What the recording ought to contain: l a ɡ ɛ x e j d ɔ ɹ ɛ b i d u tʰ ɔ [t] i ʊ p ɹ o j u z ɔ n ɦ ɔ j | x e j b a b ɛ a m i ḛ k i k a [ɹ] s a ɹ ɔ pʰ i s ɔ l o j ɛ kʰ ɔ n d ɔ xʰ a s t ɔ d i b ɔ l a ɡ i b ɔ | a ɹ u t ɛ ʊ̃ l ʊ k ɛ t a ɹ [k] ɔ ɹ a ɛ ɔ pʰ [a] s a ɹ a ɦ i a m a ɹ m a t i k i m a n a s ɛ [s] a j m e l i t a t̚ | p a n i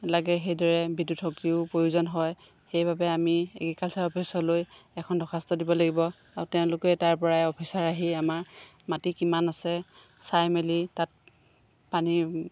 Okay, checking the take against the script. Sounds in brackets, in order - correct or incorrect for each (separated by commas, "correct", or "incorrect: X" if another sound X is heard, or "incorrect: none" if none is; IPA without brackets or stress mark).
incorrect: k, incorrect: l, incorrect: p, incorrect: i, correct